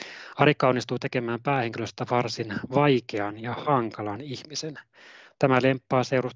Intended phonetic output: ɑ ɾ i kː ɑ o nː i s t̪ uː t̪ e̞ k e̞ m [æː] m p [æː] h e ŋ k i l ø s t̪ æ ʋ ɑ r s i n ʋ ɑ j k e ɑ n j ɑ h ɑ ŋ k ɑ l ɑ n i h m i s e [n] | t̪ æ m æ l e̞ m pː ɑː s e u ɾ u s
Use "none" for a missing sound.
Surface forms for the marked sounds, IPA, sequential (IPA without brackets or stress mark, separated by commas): æː, æː, n